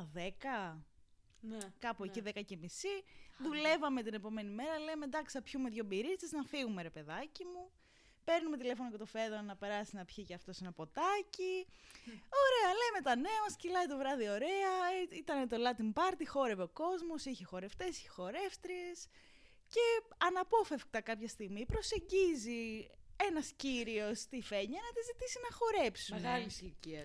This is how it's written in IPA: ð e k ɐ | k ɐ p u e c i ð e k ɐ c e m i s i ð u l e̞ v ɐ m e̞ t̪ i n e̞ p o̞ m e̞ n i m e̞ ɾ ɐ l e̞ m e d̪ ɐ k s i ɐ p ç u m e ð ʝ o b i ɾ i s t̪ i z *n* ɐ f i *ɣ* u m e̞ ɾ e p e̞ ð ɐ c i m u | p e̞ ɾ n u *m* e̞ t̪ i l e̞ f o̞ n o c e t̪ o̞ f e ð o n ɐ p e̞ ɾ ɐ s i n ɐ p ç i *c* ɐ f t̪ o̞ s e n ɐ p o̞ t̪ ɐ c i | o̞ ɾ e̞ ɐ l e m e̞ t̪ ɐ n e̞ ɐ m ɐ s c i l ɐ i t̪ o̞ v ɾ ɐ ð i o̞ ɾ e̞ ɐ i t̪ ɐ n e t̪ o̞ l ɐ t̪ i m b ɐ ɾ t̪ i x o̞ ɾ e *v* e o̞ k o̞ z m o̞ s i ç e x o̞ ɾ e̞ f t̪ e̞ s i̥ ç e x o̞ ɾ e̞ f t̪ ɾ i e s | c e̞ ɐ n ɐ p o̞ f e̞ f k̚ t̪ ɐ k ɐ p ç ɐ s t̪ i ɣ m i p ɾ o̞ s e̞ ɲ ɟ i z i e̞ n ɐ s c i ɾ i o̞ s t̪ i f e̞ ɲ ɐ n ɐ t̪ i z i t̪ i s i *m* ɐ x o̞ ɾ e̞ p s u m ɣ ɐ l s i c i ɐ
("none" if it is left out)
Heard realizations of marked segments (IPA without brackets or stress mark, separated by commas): n, ɣ, m, c, v, n